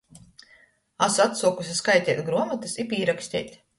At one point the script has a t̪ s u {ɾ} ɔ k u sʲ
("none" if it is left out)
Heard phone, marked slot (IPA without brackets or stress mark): none